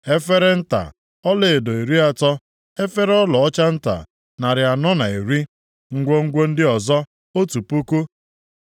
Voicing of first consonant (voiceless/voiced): voiceless